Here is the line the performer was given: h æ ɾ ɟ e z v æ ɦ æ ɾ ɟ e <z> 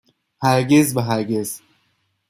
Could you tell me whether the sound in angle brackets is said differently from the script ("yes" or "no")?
no